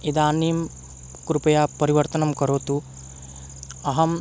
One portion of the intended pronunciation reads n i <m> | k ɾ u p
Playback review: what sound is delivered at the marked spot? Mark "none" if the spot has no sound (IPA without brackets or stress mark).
m